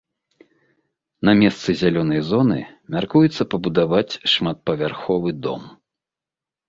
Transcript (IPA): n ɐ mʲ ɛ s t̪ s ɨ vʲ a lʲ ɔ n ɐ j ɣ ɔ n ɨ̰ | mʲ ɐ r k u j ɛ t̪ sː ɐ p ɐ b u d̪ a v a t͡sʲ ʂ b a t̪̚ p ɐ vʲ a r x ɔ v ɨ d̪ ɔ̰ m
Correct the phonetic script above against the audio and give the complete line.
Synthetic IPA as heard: n ɐ mʲ ɛ s t̪ s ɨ zʲ a lʲ ɔ n ɐ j z ɔ n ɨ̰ | mʲ a r k u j ɛ t̪ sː ɐ p ɐ b u d̪ a v a t͡sʲ ʂ m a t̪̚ p ɐ vʲ a r x ɔ v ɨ d̪ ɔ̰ m

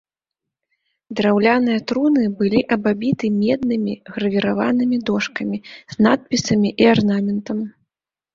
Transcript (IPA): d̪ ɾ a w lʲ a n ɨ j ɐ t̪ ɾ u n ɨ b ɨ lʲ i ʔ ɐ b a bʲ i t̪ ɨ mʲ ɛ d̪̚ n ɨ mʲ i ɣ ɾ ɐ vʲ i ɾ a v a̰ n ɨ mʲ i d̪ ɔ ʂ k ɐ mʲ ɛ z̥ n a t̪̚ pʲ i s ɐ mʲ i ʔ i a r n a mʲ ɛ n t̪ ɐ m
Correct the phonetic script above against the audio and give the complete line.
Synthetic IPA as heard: d̪ ɾ a w lʲ a n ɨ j ɐ t̪ ɾ u n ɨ b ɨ lʲ i ʔ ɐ b a bʲ i t̪ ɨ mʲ ɛ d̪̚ n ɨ mʲ i ɣ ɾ ɐ vʲ i ɾ a v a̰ n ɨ mʲ i d̪ ɔ ʂ k ɐ mʲ i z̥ n a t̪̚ pʲ i s ɐ mʲ i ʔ i a r n a mʲ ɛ n t̪ ɐ m

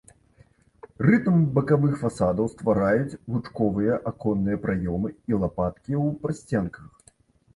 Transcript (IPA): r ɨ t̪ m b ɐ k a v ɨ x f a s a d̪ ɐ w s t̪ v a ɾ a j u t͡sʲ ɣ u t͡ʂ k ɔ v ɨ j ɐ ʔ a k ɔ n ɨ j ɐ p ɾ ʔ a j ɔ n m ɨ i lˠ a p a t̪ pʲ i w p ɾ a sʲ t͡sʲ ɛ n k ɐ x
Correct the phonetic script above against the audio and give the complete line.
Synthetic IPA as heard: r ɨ t̪ m b ɐ k a v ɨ x f a s a d̪ ɐ w s t̪ v a ɾ a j u t͡sʲ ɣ u t͡ʂ k ɔ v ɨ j ɐ ʔ a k ɔ nː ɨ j ɐ p ɾ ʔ a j ɔ m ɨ i lˠ a p a t̪ kʲ i w p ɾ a sʲ t͡sʲ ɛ n k ɐ x

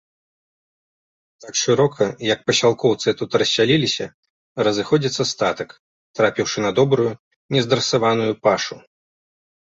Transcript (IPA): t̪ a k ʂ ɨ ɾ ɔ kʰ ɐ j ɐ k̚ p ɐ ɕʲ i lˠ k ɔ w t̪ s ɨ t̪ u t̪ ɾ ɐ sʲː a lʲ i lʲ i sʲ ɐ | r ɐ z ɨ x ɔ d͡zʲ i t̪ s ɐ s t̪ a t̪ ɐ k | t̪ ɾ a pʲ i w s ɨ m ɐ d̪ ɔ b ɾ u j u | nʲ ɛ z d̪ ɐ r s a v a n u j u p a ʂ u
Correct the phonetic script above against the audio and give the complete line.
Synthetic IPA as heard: t̪ a k ʂ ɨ ɾ ɔ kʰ ɐ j ɐ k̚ p ɐ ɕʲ a lˠ k ɔ w t̪ s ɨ t̪ u t̪ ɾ ɐ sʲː a lʲ i lʲ i sʲ ɐ | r ɐ z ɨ x ɔ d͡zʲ i t̪ s ɐ s t̪ a t̪ ɐ k | t̪ ɾ a pʲ i w ʂ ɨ n ɐ d̪ ɔ b ɾ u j u | nʲ ɛ z d̪ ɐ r s a v a n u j u p a ʂ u

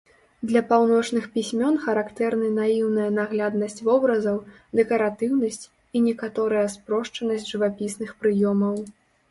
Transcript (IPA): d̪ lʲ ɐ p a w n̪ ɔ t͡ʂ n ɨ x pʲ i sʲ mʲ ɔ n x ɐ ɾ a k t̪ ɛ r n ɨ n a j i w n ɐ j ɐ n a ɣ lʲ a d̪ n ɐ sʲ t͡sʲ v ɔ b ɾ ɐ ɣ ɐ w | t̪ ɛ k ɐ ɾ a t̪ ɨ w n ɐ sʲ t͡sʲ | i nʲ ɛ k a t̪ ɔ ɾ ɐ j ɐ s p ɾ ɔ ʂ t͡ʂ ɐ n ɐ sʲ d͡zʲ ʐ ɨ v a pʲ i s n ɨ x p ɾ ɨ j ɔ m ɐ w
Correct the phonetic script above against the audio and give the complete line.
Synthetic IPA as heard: d̪ lʲ ɐ p a w n̪ ɔ t͡ʂ n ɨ x pʲ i sʲ mʲ ɔ n x ɐ ɾ a k t̪ ɛ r n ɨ n a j i w n ɐ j ɐ n a ɣ lʲ a d̪ n ɐ sʲ t͡sʲ v ɔ b ɾ ɐ z ɐ w | d̪ ɛ k ɐ ɾ a t̪ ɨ w n ɐ sʲ t͡sʲ | i nʲ ɛ k a t̪ ɔ ɾ ɐ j ɐ s p ɾ ɔ ʂ t͡ʂ ɐ n ɐ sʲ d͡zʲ ʐ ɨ v a pʲ i s n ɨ x p ɾ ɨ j ɔ m ɐ w

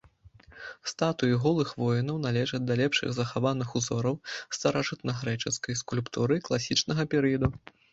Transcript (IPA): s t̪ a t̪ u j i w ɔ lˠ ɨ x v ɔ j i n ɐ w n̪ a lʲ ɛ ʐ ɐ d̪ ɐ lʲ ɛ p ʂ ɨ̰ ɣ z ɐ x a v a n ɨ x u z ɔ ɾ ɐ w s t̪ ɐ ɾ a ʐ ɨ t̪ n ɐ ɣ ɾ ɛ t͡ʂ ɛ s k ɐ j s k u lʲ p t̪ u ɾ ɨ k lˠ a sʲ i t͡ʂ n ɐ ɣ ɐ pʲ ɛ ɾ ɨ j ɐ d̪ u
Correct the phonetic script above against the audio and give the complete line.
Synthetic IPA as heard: s t̪ a t̪ u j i ɣ ɔ lˠ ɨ x v ɔ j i n ɐ w n̪ a lʲ ɛ ʐ ɐ d̪ ɐ lʲ ɛ p ʂ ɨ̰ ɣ z ɐ x a v a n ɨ x u z ɔ ɾ ɐ w s t̪ ɐ ɾ a ʐ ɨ t̪ n ɐ ɣ ɾ ɛ t͡ʂ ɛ s k ɐ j s k u lʲ p t̪ u ɾ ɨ k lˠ a sʲ i t͡ʂ n ɐ ɣ ɐ pʲ ɛ ɾ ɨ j ɐ d̪ u

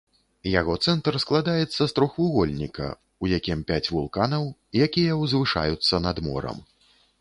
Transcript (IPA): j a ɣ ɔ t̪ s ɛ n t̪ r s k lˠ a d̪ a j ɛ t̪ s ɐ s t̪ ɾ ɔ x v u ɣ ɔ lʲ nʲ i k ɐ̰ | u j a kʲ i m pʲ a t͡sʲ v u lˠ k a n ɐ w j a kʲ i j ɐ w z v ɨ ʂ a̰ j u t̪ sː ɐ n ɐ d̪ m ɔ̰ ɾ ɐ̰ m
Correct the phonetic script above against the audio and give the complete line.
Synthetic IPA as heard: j a ɣ ɔ t̪ s ɛ n t̪ r s k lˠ a d̪ a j ɛ t̪ sː ɐ s t̪ ɾ ɔ x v u ɣ ɔ lʲ nʲ i k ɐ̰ | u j a kʲ i m pʲ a t͡sʲ v u lˠ k a n ɐ w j a kʲ i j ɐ w z v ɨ ʂ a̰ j u t̪ sː ɐ n ɐ d̪ m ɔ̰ ɾ ɐ̰ m

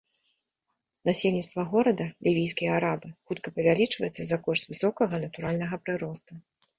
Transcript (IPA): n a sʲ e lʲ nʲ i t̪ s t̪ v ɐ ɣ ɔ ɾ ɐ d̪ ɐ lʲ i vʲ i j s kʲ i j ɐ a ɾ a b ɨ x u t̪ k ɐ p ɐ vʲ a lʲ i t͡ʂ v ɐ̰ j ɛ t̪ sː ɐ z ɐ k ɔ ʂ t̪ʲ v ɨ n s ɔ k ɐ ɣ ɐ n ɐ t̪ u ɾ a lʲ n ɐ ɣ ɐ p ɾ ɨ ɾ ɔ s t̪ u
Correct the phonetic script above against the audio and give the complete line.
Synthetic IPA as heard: n a sʲ e lʲ nʲ i t̪ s t̪ v ɐ ɣ ɔ ɾ ɐ d̪ ɐ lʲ i vʲ i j s kʲ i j ɐ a ɾ a b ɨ x u t̪ k ɐ p ɐ vʲ a lʲ i t͡ʂ v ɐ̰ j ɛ t̪ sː ɐ z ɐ k ɔ ʂ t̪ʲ v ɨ s ɔ k ɐ ɣ ɐ n ɐ t̪ u ɾ a lʲ n ɐ ɣ ɐ p ɾ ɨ ɾ ɔ s t̪ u

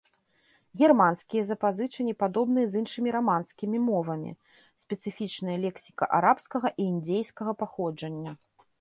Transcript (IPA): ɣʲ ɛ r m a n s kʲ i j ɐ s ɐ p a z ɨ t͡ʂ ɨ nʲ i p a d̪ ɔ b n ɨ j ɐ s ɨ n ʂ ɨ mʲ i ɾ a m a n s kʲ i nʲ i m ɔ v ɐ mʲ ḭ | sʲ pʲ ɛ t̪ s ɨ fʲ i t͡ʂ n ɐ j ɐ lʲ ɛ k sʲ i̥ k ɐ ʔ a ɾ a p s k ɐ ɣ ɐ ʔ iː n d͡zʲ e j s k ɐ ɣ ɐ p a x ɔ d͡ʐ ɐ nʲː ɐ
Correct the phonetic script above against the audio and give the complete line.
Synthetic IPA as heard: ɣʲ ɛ r m a n s kʲ i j ɐ z ɐ p a z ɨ t͡ʂ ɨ nʲ i p a d̪ ɔ b n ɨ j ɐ z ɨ n ʂ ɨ mʲ i ɾ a m a n s kʲ i mʲ i m ɔ v ɐ mʲ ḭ | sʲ pʲ ɛ t̪ s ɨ fʲ i t͡ʂ n ɐ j ɐ lʲ ɛ k sʲ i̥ k ɐ ʔ a ɾ a p s k ɐ ɣ ɐ ʔ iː n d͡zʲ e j s k ɐ ɣ ɐ p a x ɔ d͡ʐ ɐ nʲː ɐ

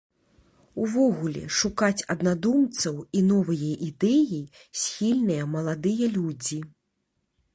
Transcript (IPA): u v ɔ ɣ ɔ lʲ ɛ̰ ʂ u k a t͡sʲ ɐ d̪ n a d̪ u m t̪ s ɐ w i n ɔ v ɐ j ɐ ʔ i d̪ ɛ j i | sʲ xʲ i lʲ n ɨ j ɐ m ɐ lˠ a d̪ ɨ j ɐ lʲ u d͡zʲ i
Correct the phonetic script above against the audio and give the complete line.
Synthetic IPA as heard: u v ɔ ɣ u lʲ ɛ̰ ʂ u k a t͡sʲ ɐ d̪ n a d̪ u m t̪ s ɐ w i n ɔ v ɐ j ɐ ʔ i d̪ ɛ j i | sʲ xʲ i lʲ n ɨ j ɐ m ɐ lˠ a d̪ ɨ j ɐ lʲ u d͡zʲ i

